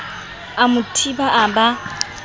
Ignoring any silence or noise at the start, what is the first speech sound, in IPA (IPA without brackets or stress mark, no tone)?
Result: a